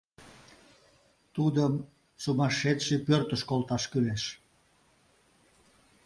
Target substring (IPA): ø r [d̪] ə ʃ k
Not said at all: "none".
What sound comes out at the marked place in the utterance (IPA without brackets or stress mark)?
t̪